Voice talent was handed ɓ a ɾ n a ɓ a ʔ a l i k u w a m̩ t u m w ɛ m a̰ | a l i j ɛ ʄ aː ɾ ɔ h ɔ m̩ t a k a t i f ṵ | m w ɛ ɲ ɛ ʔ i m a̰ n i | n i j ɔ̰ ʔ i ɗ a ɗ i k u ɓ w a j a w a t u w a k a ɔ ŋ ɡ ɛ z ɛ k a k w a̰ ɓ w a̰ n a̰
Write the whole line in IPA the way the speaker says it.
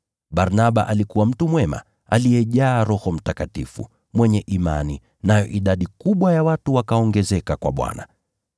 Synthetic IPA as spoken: ɓ a ɾ n a ɓ a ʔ a l i k u w a m̩ t u m w ɛ m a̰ | a l i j ɛ ʄ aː ɾ ɔ h ɔ m̩ t a k a t i f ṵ | m w ɛ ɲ ɛ ʔ i m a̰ n i | n a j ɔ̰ ʔ i ɗ a ɗ i k u ɓ w a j a w a t u w a k a ɔ ŋ ɡ ɛ z ɛ k a k w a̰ ɓ w a̰ n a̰